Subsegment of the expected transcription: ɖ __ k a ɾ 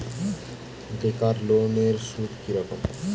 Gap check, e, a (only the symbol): e